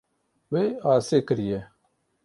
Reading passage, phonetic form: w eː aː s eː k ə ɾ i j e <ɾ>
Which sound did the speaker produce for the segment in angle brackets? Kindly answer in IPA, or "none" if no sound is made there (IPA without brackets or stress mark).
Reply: none